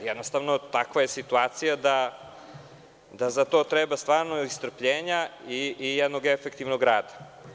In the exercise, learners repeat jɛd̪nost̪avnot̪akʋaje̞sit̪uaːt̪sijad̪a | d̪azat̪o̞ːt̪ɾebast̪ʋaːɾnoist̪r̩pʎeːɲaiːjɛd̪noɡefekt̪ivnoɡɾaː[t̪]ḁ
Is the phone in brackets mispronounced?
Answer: yes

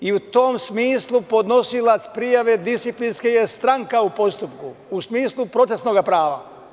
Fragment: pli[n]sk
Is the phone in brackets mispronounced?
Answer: no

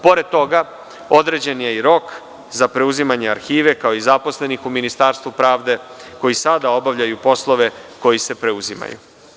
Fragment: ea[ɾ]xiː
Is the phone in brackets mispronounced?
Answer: no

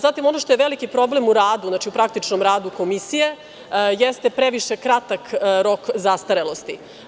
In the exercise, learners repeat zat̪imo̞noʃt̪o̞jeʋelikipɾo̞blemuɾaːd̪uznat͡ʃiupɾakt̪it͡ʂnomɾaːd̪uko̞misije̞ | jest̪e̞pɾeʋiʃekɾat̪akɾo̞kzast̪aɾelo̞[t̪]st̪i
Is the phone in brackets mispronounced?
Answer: yes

